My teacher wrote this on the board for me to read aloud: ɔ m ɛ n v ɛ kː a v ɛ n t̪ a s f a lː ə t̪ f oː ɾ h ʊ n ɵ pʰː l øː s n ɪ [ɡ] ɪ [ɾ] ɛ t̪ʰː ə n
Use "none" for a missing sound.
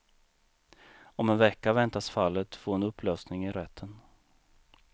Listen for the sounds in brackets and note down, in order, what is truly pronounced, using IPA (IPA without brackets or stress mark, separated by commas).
ŋ, ɾ